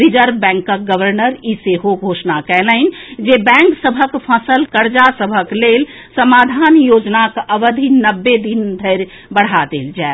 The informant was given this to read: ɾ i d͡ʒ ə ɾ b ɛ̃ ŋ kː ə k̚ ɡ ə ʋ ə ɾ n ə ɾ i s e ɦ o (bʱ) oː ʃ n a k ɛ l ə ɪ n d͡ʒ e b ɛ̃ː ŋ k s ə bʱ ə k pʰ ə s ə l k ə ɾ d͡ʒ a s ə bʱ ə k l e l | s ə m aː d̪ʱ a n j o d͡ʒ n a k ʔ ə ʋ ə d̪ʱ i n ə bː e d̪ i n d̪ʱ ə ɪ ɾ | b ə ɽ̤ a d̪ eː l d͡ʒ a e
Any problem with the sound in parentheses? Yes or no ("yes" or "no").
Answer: yes